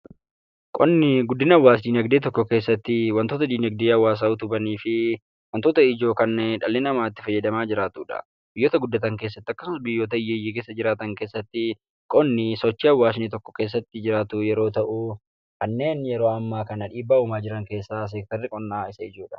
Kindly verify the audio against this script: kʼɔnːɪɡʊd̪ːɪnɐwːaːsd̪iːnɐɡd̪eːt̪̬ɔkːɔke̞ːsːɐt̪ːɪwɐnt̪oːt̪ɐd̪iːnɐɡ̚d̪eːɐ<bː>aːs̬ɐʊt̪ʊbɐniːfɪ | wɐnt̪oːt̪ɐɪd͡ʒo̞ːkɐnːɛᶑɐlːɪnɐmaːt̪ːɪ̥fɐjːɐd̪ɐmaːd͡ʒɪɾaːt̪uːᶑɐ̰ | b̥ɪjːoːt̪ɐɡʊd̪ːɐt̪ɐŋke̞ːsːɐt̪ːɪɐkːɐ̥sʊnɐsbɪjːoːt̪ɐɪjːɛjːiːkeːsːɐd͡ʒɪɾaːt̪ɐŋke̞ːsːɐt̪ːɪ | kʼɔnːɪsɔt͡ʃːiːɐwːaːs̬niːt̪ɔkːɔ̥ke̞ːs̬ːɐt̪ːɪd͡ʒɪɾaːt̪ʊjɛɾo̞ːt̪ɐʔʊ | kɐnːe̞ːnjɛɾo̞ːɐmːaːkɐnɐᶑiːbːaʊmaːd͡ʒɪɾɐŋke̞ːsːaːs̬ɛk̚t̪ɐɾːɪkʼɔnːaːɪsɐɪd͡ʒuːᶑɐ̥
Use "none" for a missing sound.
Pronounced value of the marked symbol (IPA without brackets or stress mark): wː